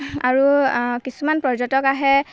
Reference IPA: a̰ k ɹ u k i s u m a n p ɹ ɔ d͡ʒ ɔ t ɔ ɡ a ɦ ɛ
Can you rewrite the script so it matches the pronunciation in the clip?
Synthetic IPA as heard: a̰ ɹ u k i s u m a n p ɹ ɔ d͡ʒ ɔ t ɔ k a ɦ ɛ